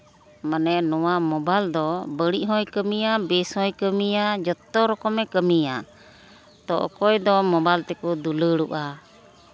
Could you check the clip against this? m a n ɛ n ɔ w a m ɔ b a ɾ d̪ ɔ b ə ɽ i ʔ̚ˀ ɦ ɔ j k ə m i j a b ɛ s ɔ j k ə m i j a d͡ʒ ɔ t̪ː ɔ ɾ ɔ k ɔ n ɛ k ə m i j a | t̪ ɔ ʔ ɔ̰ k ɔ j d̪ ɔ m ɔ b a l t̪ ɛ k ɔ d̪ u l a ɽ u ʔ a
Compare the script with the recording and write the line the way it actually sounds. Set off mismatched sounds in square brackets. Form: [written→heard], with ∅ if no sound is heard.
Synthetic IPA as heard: m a n ɛ n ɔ w a m ɔ b a [ɾ→l] d̪ ɔ b ə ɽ i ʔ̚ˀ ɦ ɔ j k ə m i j a b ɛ s ɔ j k ə m i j a d͡ʒ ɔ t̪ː ɔ ɾ ɔ k ɔ [n→m] ɛ k ə m i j a | t̪ ɔ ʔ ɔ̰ k ɔ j d̪ ɔ m ɔ b a l t̪ ɛ k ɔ d̪ u l [a→ə] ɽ u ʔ a